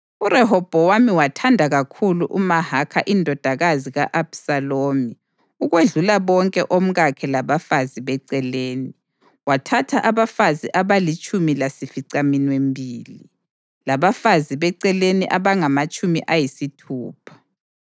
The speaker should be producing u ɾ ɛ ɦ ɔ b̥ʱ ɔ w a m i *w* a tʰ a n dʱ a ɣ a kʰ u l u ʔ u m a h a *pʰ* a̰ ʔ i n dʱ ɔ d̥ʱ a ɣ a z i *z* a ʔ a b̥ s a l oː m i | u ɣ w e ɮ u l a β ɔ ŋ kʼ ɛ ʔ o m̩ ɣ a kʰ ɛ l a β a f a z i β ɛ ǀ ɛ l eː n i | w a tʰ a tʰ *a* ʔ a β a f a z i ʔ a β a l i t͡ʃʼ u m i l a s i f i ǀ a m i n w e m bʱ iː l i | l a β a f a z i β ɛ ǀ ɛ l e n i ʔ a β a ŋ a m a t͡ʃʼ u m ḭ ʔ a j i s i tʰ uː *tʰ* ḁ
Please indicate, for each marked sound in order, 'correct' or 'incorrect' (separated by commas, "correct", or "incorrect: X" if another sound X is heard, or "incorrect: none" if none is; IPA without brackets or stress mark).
correct, incorrect: kʰ, incorrect: ɣ, correct, incorrect: pʰ